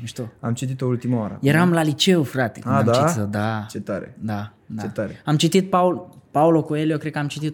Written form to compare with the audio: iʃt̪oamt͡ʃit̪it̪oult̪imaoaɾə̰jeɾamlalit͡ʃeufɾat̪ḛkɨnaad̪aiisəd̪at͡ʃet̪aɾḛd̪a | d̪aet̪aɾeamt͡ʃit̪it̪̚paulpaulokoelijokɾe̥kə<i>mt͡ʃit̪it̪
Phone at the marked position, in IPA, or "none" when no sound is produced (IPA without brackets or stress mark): a